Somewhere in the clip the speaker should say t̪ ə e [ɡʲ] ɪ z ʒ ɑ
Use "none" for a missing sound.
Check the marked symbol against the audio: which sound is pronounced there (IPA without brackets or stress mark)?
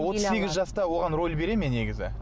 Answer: ɡʲ